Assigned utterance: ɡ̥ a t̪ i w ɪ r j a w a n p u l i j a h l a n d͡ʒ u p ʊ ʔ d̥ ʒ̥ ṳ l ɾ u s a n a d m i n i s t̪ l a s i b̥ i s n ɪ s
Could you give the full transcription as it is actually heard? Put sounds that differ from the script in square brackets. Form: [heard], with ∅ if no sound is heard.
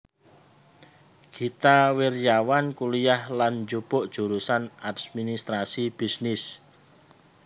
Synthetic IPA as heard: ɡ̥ [i] t̪ [a] w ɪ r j a w a n [k] u l i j a h l a n d͡ʒ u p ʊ ʔ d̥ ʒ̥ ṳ [∅] ɾ u s a n a d m i n i s t̪ [ɾ] a s i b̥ i s n ɪ s